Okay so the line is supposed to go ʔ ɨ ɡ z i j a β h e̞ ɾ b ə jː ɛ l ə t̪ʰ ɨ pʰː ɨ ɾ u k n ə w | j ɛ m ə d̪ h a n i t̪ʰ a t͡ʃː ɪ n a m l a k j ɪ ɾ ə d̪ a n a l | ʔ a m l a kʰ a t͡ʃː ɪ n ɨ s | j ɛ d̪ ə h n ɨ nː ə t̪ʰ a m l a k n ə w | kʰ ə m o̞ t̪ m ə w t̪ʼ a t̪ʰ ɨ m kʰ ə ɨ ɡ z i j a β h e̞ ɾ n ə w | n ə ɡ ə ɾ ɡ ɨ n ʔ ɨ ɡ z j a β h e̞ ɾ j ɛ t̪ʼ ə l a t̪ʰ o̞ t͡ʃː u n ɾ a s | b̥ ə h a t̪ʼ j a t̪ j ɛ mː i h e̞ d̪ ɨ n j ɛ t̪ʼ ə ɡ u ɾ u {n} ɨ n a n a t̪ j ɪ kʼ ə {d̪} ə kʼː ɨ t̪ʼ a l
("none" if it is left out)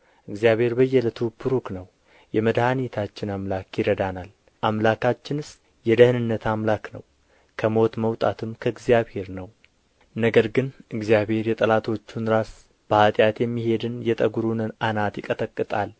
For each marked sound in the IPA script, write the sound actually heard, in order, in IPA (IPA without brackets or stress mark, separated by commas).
n, t̪